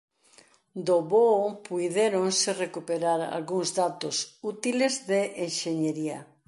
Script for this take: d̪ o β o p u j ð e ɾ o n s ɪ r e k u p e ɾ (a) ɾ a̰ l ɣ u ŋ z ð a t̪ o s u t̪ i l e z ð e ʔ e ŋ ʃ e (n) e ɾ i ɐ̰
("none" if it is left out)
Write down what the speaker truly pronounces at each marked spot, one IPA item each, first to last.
a, ɲ

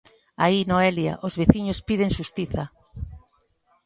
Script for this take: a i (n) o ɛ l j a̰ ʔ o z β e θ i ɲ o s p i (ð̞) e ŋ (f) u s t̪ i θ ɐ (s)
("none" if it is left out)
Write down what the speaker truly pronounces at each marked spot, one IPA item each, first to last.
n, ð̞, ʃ, none

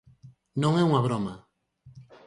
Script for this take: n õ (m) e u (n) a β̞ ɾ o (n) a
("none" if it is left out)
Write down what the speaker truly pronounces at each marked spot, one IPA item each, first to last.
ŋ, ŋ, m

